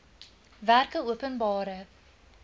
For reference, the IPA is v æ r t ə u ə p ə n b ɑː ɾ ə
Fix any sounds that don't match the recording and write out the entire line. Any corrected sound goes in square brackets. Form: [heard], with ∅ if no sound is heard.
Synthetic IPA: v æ r [k] ə u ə p ə n b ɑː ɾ ə